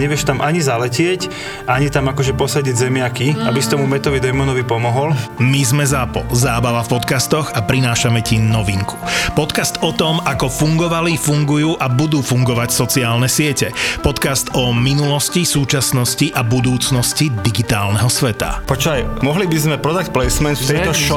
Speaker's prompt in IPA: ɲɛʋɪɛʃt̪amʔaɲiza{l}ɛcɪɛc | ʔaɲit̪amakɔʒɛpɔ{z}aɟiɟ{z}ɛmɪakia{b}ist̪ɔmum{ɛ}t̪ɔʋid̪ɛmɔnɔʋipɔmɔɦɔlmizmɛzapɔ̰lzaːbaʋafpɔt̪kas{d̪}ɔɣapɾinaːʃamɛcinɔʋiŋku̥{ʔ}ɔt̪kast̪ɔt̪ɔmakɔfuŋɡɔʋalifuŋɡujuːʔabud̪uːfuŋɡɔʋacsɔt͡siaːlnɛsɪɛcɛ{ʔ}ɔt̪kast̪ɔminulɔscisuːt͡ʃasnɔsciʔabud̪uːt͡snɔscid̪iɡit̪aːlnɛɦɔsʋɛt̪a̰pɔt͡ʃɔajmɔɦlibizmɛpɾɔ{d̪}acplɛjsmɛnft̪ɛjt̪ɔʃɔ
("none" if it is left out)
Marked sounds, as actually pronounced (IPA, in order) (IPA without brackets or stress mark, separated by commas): l, s, z, b, ɛ, t̪, p, p, d̪